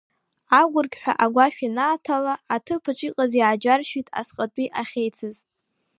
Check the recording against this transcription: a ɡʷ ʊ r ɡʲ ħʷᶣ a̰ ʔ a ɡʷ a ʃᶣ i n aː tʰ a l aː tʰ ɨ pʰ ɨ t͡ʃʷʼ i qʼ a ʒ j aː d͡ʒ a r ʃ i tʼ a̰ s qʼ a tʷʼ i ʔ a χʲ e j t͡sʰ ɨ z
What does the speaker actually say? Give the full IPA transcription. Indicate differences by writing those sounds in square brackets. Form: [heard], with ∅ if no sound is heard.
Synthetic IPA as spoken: a ɡʷ ʊ r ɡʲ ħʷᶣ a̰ ʔ a ɡʷ a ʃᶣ i n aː tʰ a l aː tʰ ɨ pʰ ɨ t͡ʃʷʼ i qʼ a [z] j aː d͡ʒ a r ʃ i tʼ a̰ s qʼ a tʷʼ i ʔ a χʲ e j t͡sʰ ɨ z